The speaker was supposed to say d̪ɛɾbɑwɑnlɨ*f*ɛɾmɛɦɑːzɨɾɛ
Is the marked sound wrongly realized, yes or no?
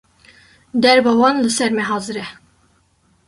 yes